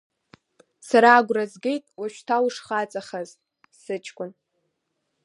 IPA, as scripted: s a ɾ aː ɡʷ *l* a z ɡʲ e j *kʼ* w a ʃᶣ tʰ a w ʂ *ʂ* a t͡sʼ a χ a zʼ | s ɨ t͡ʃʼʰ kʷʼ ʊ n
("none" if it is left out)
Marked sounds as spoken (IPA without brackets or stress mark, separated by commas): r, tʼ, χ